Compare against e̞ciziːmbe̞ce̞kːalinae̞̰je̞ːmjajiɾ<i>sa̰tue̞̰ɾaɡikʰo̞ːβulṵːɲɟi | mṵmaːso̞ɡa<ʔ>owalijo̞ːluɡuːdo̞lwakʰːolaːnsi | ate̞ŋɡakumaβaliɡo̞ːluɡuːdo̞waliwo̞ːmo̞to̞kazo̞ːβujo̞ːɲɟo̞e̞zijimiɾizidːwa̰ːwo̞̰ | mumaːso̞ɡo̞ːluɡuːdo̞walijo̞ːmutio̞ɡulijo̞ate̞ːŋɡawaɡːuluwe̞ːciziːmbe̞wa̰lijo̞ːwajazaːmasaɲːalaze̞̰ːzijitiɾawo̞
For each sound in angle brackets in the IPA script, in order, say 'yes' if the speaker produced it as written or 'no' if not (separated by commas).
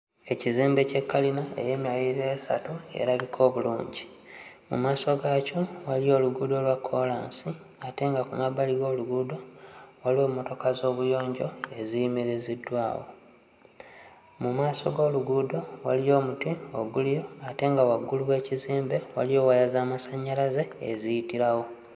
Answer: no, no